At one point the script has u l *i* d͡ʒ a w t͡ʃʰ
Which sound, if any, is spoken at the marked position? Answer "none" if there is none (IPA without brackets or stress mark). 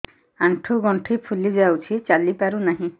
i